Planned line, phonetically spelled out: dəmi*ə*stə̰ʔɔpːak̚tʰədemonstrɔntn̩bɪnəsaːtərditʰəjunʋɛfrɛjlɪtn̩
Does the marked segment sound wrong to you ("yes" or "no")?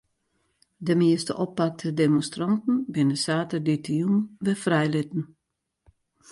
no